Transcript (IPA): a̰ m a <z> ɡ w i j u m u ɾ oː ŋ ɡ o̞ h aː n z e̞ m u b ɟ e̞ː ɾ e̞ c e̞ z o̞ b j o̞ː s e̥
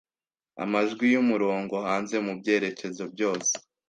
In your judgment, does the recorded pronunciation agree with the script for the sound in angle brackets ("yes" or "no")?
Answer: no